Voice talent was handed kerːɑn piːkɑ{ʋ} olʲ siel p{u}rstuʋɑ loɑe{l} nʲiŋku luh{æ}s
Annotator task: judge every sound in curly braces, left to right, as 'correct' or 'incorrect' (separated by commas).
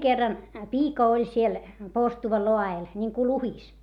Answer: incorrect, incorrect, correct, incorrect